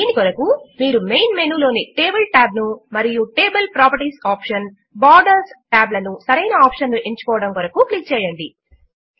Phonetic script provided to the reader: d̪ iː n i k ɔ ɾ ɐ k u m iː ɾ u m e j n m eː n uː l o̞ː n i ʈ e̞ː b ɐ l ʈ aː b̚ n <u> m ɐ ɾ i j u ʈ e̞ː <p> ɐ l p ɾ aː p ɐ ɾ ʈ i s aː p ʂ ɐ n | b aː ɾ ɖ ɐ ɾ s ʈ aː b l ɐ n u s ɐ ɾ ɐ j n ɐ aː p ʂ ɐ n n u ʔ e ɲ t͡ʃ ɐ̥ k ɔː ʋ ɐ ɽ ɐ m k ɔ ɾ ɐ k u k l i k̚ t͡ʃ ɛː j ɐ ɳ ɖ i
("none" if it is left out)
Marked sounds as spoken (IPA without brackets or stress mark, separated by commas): u, b